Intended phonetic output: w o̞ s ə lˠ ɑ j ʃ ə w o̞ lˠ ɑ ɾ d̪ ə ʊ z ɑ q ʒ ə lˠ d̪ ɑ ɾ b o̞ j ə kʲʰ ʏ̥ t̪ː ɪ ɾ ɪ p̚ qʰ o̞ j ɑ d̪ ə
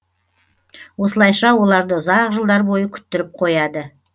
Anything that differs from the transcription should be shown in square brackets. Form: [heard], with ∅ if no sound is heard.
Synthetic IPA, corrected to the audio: w o̞ s ə lˠ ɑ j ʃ [ɑ] w o̞ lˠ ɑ ɾ d̪ ə ʊ z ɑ q ʒ ə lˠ d̪ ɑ ɾ b o̞ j ə kʲʰ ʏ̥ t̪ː ɪ ɾ ɪ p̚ qʰ o̞ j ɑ d̪ ə